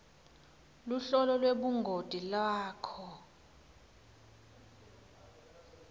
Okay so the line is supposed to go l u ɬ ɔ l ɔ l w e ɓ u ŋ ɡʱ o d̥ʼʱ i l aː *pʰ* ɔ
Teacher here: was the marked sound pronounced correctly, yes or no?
no